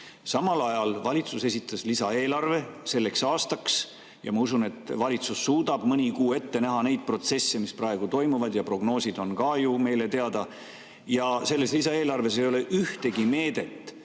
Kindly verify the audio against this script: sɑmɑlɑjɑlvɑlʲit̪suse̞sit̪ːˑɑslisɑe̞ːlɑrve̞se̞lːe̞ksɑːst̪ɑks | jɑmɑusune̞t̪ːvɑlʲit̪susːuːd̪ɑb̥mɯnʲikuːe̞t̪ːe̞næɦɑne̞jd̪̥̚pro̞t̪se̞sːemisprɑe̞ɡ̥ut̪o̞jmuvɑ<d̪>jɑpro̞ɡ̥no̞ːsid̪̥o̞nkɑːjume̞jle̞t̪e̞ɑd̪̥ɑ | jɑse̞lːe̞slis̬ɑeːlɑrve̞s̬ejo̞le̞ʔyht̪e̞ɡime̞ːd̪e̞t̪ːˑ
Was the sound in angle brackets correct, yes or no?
yes